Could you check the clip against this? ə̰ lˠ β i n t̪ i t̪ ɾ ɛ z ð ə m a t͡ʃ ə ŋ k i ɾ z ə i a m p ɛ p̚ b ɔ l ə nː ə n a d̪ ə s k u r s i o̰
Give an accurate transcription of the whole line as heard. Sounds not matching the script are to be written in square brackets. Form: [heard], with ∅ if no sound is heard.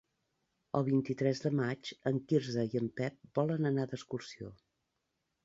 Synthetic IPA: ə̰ lˠ β i n t̪ i t̪ ɾ ɛ z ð ə m a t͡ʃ ə ŋ k i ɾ z ə i [ə] m p ɛ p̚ b ɔ l ə [n] ə n a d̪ ə s k u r s i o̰